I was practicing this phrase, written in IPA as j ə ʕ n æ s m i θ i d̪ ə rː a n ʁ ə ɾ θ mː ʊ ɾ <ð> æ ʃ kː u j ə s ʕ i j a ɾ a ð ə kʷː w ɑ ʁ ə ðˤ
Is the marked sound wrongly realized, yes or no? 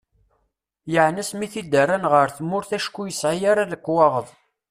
yes